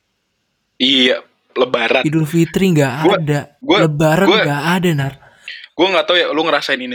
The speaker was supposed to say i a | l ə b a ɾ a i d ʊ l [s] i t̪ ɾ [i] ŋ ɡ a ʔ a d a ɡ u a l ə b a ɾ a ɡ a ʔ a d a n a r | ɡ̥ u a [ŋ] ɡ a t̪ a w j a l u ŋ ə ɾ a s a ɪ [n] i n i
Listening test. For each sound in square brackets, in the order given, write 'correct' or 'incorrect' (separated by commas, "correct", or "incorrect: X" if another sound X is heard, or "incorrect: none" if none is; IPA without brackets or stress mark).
incorrect: f, correct, correct, correct